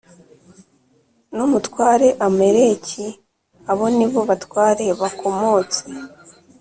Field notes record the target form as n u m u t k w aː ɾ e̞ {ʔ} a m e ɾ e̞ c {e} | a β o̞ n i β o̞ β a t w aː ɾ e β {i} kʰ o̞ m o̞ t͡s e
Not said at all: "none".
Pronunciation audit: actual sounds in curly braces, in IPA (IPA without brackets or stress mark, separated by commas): ʔ, i, a